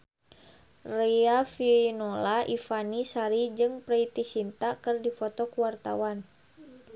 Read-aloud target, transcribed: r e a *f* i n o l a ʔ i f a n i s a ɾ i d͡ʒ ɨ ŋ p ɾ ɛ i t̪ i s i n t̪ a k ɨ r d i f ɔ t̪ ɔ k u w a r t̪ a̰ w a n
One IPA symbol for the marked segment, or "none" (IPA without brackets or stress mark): f